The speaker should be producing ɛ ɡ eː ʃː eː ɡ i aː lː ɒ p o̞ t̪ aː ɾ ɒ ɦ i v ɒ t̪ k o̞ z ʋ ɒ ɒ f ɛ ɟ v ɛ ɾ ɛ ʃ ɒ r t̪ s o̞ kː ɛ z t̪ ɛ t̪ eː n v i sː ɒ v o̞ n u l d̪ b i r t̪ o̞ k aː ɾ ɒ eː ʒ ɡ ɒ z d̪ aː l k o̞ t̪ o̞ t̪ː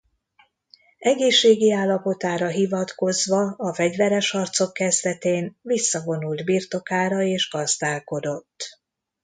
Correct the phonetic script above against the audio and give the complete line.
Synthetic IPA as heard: ɛ ɡ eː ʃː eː ɡ i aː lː ɒ p o̞ t̪ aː ɾ ɒ ɦ i v ɒ t̪ k o̞ z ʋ ɒ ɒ f ɛ ɟ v ɛ ɾ ɛ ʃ ɒ r t̪ s o̞ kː ɛ z d̪ ɛ t̪ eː n v i sː ɒ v o̞ n u l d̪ b i r t̪ o̞ k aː ɾ ɒ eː ʒ ɡ ɒ z d̪ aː l k o̞ d̪ o̞ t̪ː